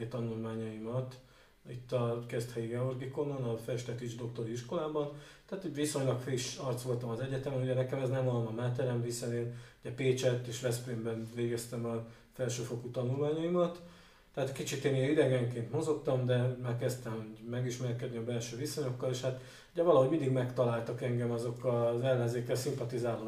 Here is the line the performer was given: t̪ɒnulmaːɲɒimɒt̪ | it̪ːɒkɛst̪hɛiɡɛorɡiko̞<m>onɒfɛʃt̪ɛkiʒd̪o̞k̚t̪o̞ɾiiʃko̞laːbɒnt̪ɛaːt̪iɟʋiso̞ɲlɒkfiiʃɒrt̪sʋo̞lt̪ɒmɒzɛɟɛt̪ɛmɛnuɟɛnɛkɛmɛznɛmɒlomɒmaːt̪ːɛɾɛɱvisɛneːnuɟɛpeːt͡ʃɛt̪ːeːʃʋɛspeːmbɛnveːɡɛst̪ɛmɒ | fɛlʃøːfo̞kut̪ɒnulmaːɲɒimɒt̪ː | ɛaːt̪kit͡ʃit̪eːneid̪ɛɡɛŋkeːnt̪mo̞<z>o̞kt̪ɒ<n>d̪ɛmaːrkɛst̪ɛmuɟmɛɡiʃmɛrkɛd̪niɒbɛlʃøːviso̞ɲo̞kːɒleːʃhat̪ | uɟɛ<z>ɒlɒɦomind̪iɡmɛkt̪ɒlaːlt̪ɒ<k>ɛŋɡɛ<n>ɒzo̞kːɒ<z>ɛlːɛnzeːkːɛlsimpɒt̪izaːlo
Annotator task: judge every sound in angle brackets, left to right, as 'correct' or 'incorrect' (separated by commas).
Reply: incorrect, correct, incorrect, incorrect, correct, incorrect, correct